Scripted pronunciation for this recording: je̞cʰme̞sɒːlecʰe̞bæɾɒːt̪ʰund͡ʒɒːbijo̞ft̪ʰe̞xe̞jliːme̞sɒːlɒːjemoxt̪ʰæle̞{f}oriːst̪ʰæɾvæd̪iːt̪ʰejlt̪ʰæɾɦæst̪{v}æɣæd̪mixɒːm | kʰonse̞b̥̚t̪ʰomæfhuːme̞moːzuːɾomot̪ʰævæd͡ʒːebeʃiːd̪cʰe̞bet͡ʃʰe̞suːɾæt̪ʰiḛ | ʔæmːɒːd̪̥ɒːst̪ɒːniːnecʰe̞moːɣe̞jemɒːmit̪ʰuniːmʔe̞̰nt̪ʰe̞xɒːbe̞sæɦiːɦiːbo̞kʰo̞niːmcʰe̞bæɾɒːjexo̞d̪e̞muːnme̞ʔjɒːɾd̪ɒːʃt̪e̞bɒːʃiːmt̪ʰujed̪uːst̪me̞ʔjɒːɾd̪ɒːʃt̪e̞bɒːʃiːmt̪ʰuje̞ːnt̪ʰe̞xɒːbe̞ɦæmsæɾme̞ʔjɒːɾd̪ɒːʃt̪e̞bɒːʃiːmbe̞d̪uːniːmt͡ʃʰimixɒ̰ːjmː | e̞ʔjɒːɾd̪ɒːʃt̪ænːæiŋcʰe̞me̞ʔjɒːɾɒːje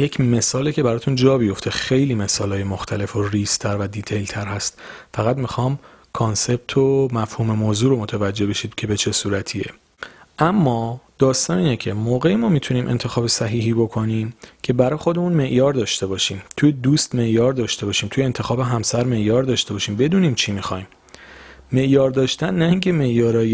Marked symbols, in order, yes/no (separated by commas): yes, no